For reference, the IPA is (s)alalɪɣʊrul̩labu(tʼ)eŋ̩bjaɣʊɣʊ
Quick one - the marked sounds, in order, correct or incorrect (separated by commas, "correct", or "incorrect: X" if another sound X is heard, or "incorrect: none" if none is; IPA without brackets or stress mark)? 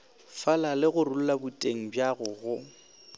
incorrect: f, correct